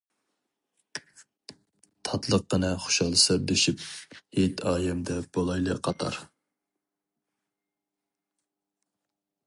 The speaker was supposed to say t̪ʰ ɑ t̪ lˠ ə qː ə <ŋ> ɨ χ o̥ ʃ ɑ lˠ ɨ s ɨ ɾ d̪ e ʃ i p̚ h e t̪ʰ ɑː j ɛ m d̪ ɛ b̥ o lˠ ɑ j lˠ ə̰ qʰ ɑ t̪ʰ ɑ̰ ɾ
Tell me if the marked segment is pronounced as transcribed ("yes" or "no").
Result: no